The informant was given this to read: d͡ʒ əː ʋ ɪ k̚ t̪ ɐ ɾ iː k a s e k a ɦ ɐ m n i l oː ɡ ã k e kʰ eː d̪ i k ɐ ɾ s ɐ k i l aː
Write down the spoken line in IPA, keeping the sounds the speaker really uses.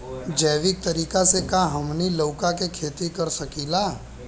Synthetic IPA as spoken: d͡ʒ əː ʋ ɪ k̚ t̪ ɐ ɾ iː k a s e k a ɦ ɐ m n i l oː k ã k e kʰ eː t̪ i k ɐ ɾ s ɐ k i l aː